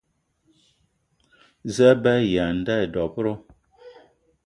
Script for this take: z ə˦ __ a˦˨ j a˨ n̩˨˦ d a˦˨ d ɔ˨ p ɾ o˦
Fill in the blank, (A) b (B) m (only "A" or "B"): A